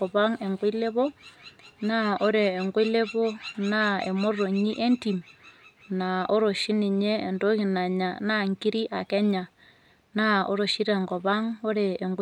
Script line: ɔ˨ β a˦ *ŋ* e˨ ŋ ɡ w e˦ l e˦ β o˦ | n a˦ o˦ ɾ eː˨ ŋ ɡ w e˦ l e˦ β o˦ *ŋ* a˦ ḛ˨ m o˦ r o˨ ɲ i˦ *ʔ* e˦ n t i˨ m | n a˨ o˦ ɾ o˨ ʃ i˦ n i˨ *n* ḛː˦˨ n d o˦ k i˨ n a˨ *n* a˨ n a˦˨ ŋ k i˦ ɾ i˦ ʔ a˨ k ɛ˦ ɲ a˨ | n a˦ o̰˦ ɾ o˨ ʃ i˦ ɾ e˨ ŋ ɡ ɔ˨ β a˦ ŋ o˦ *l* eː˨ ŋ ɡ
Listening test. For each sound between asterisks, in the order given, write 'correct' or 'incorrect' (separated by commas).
correct, incorrect, correct, incorrect, incorrect, incorrect